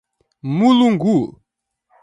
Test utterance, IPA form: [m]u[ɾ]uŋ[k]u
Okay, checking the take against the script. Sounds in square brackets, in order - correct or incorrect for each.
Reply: correct, incorrect, incorrect

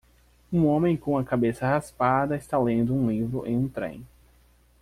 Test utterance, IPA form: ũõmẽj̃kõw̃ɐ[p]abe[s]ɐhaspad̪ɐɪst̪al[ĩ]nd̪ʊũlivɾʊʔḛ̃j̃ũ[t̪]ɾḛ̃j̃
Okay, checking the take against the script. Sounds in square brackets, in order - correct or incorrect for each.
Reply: incorrect, correct, incorrect, correct

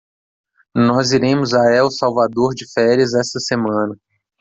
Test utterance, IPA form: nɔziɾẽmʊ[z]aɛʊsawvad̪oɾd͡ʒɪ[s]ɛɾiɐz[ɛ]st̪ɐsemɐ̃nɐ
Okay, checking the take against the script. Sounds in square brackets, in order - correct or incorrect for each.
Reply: correct, incorrect, correct

